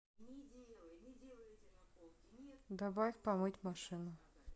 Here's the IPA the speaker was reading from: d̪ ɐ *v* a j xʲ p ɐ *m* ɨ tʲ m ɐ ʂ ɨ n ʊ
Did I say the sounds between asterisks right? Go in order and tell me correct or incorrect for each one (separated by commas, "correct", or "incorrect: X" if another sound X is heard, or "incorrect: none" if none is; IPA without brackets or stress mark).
incorrect: b, correct